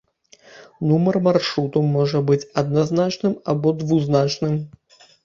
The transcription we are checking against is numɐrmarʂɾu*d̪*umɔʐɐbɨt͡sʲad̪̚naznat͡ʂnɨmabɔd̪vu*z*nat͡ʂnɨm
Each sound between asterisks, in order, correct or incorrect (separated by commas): incorrect, correct